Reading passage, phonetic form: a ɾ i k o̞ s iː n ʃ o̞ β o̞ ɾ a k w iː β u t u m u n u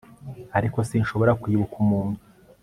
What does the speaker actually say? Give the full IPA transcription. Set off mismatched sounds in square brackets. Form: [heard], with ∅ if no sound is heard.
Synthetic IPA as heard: a ɾ i k o̞ s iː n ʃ o̞ β o̞ ɾ a k w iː β u [k] u m [uː] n u